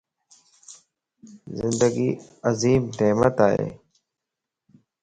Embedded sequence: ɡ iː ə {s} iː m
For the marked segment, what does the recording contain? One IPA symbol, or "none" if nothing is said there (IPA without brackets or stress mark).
z